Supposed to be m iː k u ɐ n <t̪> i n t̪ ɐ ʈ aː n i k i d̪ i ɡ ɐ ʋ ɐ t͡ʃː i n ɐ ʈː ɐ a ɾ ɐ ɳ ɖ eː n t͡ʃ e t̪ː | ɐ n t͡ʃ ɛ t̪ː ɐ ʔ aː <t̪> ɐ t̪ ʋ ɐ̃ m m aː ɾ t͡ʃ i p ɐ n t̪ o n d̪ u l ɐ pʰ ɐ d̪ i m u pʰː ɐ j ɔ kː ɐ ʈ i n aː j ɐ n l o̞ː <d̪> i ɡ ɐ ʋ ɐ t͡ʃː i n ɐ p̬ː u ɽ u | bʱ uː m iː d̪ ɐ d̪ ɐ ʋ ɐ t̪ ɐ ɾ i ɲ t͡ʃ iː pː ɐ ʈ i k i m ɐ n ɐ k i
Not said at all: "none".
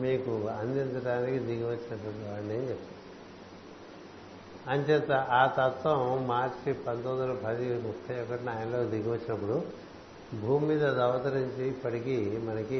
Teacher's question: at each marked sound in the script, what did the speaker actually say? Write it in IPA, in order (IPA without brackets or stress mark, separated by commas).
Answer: d̪, t̪, d̪